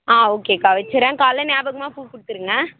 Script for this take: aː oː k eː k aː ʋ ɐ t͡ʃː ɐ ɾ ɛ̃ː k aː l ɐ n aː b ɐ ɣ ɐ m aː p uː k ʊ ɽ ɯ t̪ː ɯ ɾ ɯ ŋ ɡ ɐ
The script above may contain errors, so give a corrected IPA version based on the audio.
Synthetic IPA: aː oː k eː k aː ʋ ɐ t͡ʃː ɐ ɾ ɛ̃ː k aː l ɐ n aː b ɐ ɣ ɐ m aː p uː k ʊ ɽ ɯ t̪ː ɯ ɾ ɯ ŋ ɡ ɐ